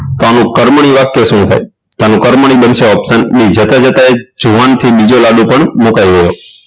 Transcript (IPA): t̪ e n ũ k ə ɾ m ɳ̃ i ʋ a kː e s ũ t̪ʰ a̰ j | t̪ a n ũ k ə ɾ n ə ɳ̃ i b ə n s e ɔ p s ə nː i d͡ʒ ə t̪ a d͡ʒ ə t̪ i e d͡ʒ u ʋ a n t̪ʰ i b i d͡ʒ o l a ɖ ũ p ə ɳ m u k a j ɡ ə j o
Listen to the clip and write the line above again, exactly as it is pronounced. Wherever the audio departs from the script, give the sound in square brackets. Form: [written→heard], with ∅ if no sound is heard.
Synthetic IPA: t̪ [e→a] n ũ k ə ɾ m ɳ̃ i ʋ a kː e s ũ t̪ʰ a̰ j | t̪ a n ũ k ə ɾ [n→m] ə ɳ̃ i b ə n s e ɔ p s ə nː i d͡ʒ ə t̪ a d͡ʒ ə t̪ [i→a] e d͡ʒ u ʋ a n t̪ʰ i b i d͡ʒ o l a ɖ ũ p ə ɳ m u k a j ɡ ə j o